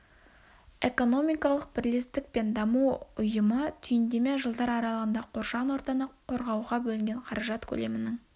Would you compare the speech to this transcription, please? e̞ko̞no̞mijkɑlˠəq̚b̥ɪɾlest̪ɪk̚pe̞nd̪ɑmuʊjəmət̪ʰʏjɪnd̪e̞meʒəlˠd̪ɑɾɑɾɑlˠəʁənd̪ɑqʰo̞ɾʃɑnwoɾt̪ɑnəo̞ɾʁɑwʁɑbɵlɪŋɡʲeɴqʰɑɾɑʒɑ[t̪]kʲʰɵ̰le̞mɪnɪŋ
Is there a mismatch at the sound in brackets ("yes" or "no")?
no